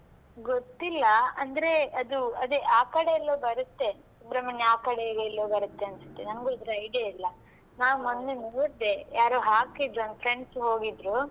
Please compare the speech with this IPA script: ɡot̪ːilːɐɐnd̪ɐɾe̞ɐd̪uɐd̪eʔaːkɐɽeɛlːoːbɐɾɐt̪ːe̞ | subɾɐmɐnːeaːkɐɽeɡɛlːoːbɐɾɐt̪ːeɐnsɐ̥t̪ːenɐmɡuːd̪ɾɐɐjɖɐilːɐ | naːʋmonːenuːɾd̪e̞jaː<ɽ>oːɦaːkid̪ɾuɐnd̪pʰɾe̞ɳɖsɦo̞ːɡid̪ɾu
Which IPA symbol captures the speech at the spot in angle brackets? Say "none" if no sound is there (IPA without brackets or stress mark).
ɾ